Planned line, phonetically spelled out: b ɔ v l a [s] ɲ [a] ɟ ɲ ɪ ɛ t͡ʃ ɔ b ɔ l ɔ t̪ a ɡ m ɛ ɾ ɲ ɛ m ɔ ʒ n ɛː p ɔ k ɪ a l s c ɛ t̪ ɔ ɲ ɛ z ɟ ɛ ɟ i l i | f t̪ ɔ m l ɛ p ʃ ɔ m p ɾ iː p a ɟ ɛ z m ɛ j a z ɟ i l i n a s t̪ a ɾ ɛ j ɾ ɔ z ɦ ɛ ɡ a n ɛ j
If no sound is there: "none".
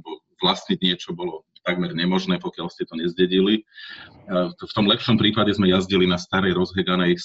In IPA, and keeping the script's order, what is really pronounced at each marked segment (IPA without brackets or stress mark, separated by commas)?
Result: s, i